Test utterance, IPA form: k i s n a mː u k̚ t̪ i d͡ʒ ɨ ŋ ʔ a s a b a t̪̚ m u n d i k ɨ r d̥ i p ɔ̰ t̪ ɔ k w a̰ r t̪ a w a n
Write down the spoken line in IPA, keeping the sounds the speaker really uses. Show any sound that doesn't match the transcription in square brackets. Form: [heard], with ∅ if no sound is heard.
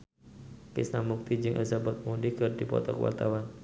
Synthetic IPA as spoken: k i s n a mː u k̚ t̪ i d͡ʒ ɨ ŋ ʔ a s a b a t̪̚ m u n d i k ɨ r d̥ i p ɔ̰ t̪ ɔ k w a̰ r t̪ a w a n